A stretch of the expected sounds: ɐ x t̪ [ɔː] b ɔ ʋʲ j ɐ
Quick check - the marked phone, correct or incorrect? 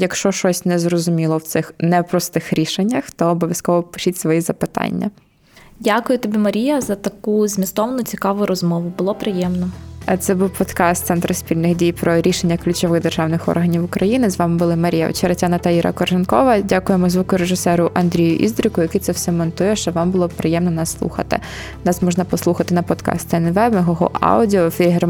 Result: correct